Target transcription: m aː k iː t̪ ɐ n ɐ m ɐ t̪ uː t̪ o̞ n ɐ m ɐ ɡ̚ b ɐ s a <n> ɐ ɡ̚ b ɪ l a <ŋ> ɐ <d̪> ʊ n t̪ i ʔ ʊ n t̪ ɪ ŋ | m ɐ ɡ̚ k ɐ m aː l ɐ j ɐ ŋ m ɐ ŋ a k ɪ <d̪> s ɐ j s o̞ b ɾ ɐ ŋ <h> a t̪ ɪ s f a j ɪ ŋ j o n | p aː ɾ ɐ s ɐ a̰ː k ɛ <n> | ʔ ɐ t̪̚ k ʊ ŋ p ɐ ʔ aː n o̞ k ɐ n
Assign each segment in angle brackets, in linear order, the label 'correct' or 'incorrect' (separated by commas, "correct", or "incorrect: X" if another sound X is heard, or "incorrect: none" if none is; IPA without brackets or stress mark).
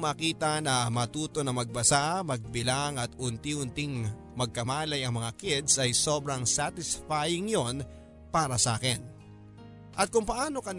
incorrect: m, correct, incorrect: t̪, correct, incorrect: s, correct